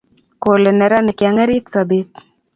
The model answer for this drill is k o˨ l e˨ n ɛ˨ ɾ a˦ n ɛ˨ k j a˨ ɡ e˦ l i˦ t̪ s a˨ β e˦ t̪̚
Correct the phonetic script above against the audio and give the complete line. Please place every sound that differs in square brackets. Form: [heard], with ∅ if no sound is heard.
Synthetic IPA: k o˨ l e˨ n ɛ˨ ɾ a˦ n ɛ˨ k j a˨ [ŋ] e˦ [ɾ] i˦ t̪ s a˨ [b] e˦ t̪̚